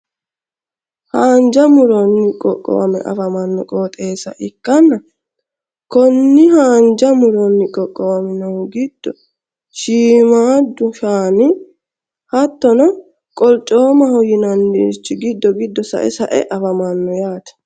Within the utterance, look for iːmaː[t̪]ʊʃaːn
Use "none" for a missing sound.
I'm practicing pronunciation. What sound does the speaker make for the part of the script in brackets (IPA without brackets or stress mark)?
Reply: d̪